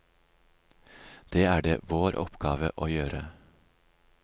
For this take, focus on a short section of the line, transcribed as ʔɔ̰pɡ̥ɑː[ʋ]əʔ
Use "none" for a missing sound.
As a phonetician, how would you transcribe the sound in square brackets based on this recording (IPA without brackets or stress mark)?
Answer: ʋ